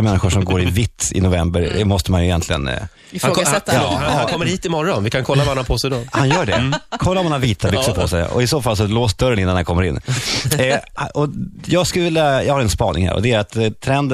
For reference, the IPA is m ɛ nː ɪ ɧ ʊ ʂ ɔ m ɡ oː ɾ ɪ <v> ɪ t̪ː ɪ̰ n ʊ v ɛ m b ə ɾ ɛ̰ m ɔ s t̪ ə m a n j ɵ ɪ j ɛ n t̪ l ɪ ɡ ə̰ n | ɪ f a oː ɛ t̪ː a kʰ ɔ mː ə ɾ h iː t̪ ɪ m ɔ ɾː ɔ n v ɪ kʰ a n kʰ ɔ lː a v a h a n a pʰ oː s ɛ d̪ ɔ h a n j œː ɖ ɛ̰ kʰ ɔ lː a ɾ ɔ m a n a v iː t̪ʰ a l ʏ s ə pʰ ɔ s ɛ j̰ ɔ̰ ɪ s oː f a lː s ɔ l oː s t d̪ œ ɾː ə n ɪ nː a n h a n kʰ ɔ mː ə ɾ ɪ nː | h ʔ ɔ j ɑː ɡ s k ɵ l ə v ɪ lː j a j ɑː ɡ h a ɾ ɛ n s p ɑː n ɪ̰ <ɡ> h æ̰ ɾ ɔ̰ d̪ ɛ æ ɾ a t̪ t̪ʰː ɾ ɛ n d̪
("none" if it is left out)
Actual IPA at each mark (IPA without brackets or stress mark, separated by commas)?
v, ŋ